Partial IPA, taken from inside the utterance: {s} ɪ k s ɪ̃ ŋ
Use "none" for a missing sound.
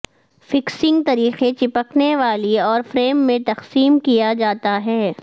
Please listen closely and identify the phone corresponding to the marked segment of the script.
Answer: f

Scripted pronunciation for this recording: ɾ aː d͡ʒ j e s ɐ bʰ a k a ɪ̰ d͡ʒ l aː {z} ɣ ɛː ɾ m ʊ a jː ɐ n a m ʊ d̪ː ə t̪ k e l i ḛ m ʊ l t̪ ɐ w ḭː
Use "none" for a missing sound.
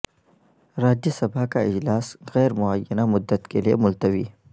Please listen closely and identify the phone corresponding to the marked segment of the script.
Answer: s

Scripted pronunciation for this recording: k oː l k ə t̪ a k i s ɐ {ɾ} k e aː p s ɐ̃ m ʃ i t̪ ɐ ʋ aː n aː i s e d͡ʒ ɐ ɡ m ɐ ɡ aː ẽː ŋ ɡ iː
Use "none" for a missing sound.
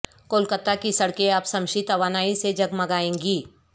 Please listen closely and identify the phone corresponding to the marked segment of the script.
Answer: ɽ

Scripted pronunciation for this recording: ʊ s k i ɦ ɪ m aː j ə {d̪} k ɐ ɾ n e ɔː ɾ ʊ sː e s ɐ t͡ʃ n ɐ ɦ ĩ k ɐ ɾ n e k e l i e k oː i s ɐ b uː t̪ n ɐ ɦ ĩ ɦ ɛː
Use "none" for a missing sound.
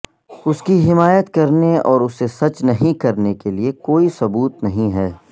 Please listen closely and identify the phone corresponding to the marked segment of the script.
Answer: t̪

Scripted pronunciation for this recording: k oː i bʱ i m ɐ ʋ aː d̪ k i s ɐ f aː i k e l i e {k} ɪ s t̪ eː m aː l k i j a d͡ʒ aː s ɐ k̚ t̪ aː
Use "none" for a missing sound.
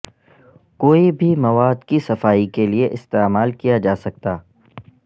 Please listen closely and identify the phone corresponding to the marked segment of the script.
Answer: ʔ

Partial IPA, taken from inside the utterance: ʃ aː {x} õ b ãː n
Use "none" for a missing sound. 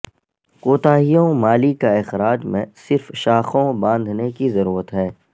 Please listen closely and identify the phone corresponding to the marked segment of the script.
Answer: x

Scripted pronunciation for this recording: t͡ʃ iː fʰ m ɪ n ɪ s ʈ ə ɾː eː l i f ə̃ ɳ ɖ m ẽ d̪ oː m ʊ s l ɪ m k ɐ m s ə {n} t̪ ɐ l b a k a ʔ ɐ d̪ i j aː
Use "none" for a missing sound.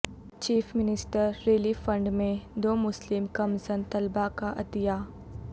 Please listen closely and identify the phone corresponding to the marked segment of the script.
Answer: n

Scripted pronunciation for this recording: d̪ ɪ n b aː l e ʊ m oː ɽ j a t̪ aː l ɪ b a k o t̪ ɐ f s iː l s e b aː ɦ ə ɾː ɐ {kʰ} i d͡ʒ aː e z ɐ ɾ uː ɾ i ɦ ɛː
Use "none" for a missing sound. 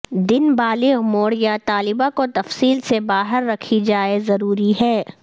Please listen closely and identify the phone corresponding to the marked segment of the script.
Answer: kʰ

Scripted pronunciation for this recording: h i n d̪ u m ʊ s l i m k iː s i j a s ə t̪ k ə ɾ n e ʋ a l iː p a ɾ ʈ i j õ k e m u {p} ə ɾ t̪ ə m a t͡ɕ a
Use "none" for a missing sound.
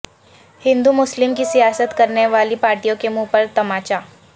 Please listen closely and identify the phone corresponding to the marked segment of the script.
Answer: p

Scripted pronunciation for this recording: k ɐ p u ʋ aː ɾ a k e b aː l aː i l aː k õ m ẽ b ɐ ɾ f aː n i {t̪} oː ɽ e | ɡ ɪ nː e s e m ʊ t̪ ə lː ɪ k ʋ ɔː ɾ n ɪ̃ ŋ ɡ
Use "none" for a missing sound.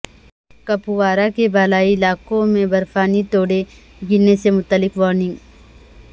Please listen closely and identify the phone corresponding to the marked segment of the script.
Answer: t̪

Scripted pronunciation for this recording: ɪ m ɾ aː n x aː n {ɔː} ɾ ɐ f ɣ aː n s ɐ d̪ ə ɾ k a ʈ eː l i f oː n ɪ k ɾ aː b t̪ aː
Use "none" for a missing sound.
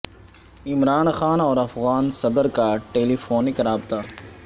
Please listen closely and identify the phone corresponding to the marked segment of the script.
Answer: ɔː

